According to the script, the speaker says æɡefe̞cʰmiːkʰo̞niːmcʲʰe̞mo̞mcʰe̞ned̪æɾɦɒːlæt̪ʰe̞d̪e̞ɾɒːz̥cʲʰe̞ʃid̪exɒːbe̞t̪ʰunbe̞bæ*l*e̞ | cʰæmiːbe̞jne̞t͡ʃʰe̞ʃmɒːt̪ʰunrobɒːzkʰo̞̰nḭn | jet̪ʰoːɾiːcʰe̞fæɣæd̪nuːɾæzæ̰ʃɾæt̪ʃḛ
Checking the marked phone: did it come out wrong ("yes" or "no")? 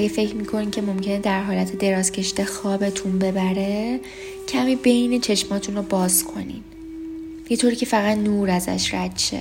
yes